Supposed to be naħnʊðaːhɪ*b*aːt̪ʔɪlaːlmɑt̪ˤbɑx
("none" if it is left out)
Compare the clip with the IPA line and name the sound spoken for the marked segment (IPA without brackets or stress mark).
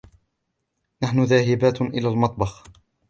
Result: b